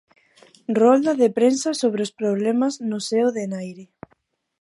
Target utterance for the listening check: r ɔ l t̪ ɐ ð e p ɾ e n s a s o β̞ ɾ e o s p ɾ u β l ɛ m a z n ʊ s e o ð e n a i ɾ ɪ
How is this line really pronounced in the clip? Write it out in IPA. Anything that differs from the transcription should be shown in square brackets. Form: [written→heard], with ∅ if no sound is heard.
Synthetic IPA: r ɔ l [t̪→d̪] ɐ ð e p ɾ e n s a s o β̞ ɾ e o s p ɾ [u→o] β l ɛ m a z n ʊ s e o ð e n a [i→j] ɾ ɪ